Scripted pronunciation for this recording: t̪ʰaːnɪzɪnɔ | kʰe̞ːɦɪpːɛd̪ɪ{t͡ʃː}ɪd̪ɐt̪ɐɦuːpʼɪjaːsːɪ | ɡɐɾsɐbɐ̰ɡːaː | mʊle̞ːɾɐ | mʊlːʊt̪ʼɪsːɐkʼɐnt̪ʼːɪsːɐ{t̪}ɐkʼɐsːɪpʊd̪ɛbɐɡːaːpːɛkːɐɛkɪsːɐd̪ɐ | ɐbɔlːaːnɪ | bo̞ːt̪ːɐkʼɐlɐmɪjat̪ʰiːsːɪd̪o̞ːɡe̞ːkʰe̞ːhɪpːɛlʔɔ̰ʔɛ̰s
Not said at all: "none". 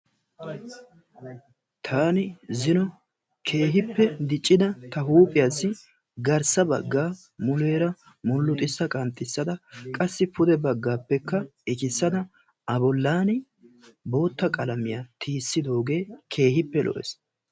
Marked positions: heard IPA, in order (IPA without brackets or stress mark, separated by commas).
t͡ʃʼː, d̪